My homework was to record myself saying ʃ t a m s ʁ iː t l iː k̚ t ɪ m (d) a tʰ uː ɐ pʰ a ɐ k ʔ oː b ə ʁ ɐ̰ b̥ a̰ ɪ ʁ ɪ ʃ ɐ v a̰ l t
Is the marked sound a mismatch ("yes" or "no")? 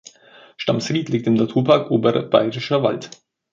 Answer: yes